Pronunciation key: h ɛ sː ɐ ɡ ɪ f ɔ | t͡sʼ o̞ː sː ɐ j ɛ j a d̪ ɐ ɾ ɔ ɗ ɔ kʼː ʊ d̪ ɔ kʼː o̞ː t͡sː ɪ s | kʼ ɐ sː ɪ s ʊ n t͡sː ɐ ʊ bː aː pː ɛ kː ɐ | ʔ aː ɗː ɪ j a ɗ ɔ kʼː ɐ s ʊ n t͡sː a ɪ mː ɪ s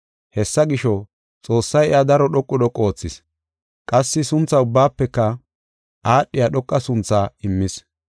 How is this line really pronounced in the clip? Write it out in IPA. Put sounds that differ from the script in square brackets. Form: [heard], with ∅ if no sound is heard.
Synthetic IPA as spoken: h ɛ sː ɐ ɡ ɪ [ʃ] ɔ | t͡sʼ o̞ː sː ɐ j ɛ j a d̪ ɐ ɾ ɔ ɗ ɔ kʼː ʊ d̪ ɔ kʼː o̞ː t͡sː ɪ s | kʼ ɐ sː ɪ s ʊ n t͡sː ɐ ʊ bː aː pː ɛ kː ɐ | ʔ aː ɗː ɪ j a ɗ ɔ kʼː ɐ s ʊ n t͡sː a ɪ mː ɪ s